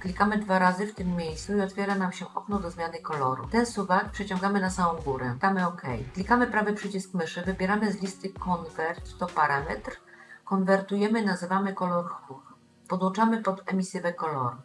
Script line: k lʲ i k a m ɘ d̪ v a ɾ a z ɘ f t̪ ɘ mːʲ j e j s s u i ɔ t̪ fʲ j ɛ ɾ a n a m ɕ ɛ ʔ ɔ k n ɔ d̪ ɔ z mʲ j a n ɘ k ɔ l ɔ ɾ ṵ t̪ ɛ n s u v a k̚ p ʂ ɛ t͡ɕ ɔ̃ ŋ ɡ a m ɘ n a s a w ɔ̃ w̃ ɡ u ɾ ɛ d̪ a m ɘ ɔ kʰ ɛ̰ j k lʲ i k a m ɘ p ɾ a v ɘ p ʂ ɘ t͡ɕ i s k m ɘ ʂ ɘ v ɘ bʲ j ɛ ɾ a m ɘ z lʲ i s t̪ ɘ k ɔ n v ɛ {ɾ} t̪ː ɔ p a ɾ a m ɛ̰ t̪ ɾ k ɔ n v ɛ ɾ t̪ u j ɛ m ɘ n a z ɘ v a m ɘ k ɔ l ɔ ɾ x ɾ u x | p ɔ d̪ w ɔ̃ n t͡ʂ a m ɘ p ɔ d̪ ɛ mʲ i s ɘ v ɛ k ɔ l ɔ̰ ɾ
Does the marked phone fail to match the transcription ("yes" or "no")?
no